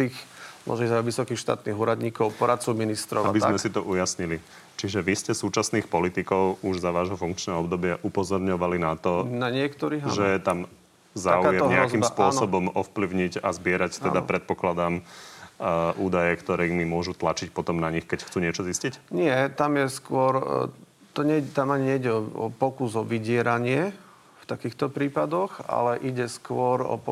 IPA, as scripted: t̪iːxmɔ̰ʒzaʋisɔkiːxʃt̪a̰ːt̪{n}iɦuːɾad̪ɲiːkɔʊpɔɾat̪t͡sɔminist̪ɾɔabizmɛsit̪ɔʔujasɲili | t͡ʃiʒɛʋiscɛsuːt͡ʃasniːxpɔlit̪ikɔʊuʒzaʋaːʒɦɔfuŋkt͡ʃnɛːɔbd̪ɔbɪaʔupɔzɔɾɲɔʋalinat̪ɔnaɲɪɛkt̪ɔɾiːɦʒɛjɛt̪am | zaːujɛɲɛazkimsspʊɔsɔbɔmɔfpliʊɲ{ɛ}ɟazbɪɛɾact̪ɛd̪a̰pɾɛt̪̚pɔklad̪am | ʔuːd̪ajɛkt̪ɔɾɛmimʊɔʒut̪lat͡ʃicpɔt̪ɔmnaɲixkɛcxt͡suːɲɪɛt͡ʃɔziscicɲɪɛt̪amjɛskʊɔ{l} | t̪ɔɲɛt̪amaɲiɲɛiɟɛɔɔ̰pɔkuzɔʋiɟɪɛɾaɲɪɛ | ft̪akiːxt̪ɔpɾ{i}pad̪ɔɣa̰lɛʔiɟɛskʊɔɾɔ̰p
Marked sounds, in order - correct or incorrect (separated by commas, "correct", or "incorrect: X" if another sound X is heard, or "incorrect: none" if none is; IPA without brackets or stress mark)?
correct, incorrect: i, incorrect: ɾ, incorrect: iː